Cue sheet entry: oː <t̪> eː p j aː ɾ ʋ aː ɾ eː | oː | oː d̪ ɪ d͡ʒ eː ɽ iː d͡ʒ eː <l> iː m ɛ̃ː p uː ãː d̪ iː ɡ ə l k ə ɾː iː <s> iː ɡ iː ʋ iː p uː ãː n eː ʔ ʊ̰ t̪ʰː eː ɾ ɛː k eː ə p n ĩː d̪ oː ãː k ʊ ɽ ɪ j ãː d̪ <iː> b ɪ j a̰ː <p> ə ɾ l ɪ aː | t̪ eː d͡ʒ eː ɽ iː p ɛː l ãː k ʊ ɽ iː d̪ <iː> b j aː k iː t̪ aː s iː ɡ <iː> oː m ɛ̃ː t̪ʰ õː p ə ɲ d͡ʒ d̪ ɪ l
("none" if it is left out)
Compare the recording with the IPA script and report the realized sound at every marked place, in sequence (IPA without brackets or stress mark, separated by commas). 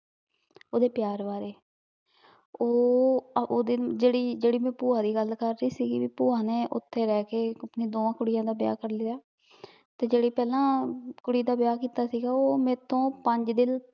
d̪, ɽ, s, aː, k, aː, aː